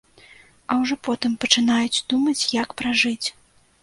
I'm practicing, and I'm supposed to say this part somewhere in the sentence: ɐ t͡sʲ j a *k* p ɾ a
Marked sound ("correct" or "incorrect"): correct